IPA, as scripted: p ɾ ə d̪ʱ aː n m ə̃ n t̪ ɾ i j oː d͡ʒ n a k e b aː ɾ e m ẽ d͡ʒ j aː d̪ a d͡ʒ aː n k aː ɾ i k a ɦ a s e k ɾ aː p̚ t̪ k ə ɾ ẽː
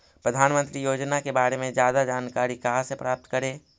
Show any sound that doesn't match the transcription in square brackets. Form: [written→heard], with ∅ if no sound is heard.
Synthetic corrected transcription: p ɾ ə d̪ʱ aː n m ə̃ n t̪ ɾ i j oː d͡ʒ n a k e b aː ɾ e m ẽ d͡ʒ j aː d̪ a d͡ʒ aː n k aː ɾ i k a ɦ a s e [k→p] ɾ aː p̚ t̪ k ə ɾ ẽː